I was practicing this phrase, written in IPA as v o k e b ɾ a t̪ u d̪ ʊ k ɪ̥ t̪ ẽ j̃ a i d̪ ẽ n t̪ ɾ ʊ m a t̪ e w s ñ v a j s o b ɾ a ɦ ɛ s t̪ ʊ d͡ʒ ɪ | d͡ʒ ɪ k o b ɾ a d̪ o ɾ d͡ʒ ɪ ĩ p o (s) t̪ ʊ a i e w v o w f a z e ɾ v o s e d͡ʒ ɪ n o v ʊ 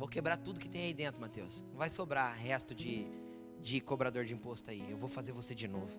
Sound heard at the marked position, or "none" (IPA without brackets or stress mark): s